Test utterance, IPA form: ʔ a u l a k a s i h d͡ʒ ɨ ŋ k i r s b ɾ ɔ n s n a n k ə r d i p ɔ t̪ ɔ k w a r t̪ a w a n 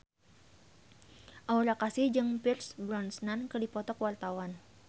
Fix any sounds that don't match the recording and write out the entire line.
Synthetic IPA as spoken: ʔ a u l a k a s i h d͡ʒ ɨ ŋ p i r s b ɾ ɔ n s n a n k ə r d i p ɔ t̪ ɔ k w a r t̪ a w a n